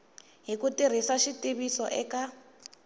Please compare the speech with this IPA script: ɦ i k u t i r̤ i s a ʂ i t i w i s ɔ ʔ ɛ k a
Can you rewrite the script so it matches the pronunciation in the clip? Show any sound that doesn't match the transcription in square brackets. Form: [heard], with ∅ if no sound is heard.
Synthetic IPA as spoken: ɦ i k u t i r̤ i s a [ʃ] i t i [β] i s ɔ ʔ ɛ k a